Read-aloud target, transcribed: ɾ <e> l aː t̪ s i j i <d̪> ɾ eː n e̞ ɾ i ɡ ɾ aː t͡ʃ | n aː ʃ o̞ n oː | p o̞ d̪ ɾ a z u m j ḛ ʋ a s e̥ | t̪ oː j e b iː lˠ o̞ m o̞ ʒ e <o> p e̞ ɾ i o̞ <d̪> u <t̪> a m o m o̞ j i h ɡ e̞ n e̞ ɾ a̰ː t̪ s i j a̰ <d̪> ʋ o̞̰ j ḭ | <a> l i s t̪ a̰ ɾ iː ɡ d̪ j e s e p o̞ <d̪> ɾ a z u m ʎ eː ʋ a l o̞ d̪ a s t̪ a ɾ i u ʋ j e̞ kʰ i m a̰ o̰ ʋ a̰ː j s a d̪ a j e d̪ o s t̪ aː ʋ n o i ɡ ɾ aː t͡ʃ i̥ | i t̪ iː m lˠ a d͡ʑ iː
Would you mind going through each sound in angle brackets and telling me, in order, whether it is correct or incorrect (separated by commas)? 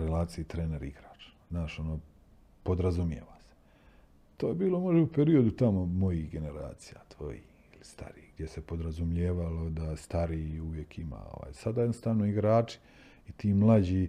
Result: correct, incorrect, incorrect, correct, correct, incorrect, incorrect, correct